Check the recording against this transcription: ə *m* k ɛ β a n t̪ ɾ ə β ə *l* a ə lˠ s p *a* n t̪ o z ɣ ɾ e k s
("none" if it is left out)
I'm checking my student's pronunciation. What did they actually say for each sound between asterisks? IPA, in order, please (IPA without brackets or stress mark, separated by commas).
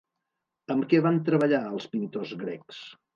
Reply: m, ʎ, i